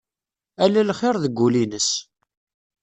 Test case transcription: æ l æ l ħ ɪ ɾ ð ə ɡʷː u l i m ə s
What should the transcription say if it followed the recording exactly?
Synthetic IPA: æ l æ l χ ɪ ɾ ð ə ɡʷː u l i n ə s